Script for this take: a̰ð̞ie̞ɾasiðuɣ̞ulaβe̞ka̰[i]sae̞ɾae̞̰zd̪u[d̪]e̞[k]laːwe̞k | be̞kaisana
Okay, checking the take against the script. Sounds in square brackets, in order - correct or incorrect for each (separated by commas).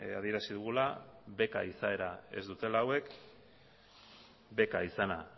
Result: correct, incorrect, incorrect